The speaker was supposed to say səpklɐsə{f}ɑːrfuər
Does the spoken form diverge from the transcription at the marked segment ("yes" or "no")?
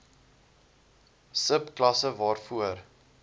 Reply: yes